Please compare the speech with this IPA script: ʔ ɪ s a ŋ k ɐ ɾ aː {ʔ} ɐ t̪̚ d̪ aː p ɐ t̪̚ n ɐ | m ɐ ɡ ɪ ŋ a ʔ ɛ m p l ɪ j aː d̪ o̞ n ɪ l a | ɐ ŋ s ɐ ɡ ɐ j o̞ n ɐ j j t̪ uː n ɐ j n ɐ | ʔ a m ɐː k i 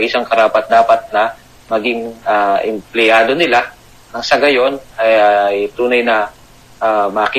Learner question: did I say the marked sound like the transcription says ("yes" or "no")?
no